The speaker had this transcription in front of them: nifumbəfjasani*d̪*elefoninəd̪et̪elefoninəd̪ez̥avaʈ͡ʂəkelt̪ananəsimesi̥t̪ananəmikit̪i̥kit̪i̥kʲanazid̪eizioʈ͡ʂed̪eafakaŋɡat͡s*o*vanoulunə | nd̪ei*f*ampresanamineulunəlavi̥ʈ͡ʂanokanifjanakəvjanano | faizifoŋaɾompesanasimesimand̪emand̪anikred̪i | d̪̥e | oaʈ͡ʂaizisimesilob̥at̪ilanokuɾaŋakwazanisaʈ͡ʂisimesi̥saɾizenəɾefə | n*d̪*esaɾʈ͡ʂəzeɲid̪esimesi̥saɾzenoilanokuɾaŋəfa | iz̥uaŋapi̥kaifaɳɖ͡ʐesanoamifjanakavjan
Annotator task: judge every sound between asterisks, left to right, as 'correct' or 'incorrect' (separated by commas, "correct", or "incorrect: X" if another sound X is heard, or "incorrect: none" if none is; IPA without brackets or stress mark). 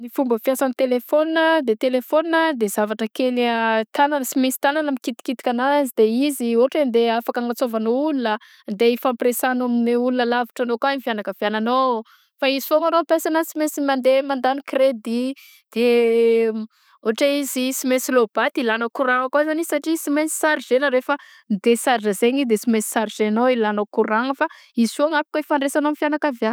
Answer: incorrect: t̪, correct, correct, correct